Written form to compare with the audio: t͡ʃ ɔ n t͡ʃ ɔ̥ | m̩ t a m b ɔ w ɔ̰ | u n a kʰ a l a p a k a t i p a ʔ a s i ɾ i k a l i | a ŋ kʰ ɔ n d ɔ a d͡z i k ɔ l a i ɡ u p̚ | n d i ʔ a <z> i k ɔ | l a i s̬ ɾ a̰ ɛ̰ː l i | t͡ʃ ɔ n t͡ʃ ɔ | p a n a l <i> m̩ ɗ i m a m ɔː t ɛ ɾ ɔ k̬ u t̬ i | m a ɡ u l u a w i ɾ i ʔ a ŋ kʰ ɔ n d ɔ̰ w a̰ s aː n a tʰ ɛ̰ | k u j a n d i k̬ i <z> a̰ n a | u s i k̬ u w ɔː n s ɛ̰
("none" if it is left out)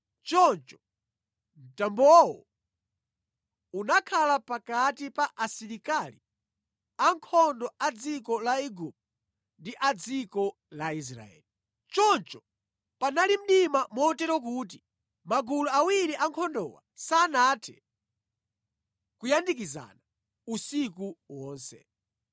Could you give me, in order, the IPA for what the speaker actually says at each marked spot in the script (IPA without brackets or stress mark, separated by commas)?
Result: d͡z, i, z